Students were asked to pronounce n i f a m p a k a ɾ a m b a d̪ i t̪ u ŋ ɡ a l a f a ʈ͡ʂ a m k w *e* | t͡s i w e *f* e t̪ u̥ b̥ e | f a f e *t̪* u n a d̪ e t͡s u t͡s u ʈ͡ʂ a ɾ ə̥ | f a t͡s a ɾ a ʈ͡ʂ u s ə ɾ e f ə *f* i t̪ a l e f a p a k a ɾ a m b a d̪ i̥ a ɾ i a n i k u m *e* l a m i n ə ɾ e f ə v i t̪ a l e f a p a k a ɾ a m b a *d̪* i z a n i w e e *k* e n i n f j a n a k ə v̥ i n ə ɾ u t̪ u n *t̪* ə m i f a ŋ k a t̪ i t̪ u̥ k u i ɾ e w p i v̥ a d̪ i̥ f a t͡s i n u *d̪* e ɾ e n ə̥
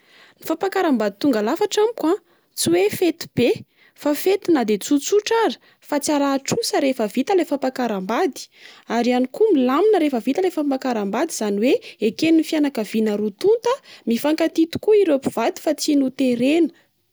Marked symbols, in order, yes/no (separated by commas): no, yes, yes, no, no, yes, yes, yes, no